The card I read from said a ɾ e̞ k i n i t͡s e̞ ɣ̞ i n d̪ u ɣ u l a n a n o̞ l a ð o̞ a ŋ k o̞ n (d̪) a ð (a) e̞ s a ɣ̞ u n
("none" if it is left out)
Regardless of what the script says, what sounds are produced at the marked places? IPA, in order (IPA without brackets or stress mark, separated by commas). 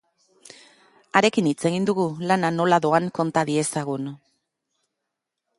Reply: t̪, i